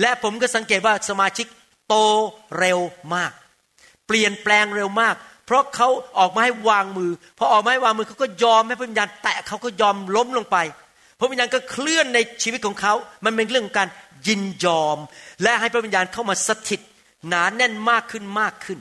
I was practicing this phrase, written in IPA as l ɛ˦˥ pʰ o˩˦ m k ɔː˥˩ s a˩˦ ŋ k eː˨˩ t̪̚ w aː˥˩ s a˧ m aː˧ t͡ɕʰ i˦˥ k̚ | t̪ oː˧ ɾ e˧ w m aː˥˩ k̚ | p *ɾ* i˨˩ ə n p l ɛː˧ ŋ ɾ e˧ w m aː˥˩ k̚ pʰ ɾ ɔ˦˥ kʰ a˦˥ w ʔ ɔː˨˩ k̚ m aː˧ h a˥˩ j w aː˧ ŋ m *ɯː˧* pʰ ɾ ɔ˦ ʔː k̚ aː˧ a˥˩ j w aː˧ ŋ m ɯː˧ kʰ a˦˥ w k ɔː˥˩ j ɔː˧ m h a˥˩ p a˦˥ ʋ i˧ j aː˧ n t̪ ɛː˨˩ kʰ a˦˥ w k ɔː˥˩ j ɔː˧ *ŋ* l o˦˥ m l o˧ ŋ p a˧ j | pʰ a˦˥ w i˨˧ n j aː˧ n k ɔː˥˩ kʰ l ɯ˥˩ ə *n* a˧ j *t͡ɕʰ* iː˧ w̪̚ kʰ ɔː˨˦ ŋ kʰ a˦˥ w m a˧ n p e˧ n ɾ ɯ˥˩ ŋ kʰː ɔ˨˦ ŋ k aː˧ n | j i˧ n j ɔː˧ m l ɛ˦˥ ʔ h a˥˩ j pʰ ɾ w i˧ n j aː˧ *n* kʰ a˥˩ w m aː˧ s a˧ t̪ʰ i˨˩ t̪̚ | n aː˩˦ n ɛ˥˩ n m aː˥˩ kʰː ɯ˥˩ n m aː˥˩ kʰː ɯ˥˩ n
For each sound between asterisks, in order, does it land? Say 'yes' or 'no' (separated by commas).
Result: no, yes, no, no, yes, yes